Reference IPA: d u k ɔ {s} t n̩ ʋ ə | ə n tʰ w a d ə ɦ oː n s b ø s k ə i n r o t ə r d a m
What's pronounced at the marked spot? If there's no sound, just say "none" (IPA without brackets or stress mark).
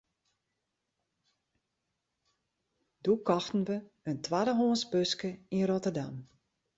x